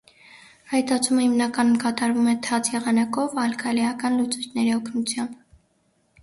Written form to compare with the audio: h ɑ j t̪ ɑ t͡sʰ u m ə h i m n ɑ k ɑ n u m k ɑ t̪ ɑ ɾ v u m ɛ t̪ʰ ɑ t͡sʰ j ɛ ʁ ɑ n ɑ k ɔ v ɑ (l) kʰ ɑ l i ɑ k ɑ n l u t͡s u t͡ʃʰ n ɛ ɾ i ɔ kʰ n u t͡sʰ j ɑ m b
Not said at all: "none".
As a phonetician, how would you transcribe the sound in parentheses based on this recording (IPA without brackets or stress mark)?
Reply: l